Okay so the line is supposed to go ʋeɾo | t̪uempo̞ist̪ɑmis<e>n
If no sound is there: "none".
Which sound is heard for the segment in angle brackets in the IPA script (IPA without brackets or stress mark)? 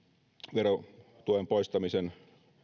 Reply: e